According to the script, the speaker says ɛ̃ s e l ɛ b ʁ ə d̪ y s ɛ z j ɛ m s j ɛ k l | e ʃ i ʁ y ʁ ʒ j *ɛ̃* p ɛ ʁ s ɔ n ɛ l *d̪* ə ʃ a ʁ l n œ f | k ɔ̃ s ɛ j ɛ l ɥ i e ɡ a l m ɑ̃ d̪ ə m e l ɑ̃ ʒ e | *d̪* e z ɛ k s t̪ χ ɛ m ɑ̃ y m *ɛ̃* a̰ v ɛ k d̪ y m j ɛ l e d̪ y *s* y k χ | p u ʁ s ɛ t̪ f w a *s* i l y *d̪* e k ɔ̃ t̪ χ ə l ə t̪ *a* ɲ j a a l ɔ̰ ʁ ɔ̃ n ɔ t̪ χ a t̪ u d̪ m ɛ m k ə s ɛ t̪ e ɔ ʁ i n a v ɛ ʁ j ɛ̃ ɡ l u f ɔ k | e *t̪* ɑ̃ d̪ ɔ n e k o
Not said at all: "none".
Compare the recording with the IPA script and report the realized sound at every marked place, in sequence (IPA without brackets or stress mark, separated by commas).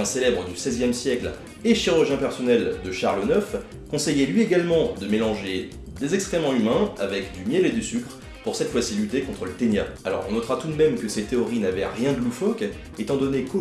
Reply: ɛ̃, d̪, d̪, ɛ̃, s, s, t̪, e, t̪